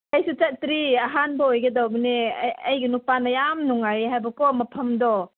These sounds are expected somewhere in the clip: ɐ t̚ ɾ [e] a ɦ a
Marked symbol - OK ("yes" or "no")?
no